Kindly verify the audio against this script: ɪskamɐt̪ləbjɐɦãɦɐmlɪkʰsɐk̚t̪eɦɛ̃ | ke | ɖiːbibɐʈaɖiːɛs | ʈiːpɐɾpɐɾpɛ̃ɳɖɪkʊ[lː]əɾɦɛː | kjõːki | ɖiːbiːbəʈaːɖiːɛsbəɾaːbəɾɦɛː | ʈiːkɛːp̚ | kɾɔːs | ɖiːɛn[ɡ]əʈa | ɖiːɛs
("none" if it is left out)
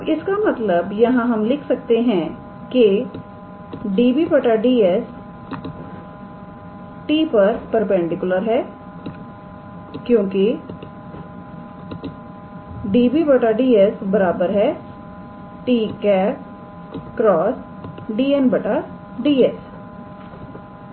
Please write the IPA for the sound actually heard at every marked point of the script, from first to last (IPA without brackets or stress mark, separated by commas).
l, b